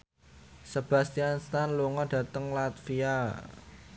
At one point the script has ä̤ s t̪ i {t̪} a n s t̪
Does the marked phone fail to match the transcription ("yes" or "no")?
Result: yes